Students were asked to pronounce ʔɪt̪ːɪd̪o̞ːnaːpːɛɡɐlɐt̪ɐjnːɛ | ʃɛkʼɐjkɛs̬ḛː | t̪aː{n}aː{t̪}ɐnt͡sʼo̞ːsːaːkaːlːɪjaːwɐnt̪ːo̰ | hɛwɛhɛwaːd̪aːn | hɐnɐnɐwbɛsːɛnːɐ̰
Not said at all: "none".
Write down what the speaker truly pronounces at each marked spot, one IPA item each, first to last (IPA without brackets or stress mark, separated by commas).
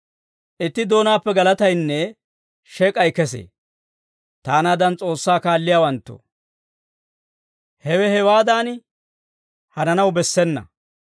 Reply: n, d̪